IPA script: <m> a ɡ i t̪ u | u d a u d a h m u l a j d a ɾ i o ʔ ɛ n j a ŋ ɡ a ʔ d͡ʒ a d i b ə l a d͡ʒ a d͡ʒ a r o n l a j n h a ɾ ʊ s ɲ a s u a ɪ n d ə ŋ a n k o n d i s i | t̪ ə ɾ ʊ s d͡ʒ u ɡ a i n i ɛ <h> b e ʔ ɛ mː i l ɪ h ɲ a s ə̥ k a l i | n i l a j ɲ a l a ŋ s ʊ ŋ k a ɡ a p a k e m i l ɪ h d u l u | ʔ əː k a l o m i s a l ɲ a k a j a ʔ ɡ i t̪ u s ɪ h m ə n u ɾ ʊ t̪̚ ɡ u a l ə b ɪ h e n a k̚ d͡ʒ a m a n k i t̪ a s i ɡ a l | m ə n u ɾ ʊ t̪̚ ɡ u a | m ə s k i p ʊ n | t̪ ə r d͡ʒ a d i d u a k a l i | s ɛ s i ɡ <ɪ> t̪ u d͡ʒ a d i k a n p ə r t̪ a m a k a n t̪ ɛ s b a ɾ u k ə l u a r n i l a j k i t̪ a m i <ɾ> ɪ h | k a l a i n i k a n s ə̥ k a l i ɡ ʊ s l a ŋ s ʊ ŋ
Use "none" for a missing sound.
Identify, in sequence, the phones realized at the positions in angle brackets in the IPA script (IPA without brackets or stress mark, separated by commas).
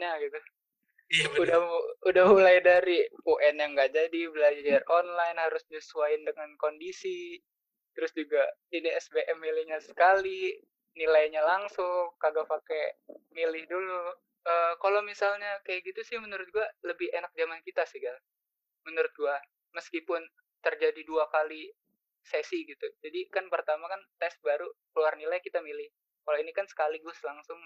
ɲ, s, i, l